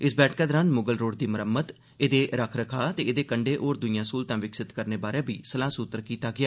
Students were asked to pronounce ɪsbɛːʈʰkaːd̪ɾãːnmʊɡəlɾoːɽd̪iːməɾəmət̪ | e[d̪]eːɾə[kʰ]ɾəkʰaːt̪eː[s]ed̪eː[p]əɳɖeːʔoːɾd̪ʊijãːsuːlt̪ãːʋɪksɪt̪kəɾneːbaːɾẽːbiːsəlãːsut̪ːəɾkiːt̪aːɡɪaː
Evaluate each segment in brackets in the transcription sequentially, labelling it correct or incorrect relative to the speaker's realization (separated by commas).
correct, correct, incorrect, incorrect